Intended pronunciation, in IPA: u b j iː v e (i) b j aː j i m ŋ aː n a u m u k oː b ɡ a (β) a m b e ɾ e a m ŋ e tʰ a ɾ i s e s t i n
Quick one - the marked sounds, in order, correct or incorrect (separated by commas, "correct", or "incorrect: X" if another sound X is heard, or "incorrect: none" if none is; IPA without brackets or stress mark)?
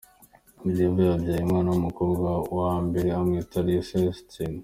incorrect: a, incorrect: w